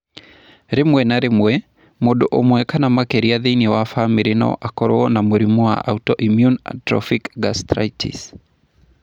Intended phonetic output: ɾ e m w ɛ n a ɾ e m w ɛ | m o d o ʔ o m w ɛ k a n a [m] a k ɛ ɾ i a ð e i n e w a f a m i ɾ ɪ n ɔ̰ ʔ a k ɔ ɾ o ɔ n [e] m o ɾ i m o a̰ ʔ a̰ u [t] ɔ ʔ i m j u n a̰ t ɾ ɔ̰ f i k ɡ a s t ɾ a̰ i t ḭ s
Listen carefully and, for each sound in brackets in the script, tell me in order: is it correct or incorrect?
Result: correct, incorrect: a, correct

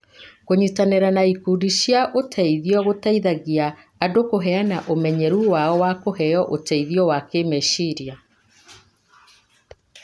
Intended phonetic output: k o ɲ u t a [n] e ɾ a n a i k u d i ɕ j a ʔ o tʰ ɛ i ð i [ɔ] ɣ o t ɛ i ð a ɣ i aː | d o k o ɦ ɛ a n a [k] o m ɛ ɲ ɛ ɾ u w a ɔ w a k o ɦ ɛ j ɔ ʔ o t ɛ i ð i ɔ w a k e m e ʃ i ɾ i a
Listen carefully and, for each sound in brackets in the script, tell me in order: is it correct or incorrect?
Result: correct, correct, incorrect: ʔ

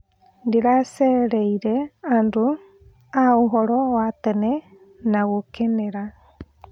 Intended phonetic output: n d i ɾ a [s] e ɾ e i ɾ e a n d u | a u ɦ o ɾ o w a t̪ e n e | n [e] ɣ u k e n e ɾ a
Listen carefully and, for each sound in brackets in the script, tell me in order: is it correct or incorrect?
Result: correct, incorrect: a

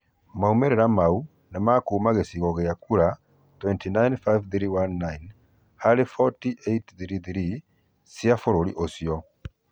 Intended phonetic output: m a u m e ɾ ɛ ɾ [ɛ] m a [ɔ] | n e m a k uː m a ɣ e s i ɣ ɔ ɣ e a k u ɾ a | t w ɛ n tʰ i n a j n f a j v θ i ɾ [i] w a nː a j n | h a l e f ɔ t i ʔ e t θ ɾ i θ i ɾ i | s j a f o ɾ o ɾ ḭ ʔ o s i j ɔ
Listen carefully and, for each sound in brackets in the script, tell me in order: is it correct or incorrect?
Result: incorrect: a, incorrect: u, correct

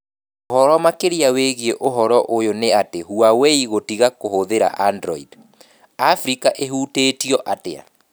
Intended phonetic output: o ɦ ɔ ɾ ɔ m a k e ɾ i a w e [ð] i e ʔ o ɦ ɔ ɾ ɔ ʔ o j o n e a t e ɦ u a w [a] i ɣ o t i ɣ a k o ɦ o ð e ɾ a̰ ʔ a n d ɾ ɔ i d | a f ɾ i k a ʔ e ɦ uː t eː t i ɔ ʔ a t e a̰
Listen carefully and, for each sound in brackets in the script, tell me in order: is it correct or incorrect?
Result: incorrect: ɣ, incorrect: e

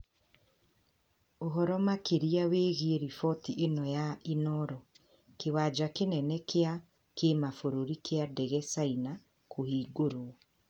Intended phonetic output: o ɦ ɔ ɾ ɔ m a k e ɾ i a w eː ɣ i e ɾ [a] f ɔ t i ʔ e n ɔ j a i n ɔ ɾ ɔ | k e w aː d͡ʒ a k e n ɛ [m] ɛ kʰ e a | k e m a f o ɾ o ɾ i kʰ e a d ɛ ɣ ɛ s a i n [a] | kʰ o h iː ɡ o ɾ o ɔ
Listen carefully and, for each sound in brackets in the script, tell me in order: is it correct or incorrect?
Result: incorrect: i, incorrect: n, correct

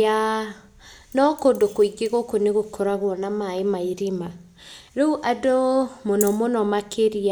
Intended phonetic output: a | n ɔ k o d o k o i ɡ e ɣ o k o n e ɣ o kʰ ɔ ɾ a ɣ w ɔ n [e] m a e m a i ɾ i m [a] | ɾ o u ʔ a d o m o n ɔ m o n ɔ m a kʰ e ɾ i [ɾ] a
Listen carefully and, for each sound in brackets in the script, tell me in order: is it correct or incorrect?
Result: incorrect: a, correct, incorrect: none

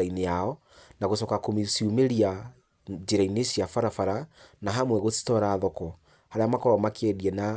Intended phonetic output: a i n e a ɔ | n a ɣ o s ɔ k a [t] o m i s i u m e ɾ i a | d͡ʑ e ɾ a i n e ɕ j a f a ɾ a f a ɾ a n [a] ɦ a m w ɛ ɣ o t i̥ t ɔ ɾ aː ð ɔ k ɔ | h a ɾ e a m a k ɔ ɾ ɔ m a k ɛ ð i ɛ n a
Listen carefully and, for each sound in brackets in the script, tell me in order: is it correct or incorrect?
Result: incorrect: k, correct

